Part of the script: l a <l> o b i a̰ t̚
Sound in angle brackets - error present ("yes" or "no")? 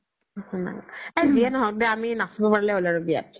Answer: yes